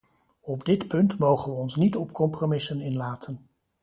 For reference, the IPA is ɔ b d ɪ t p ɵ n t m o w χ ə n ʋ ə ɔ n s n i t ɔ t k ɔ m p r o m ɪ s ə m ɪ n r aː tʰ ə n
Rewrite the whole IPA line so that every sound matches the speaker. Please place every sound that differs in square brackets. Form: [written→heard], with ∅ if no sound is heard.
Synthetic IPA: ɔ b d ɪ t p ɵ n t m o w χ ə n ʋ ə ɔ n s n i t ɔ [t→p] k ɔ m p r o m ɪ s ə [m→n] ɪ n [r→l] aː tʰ ə n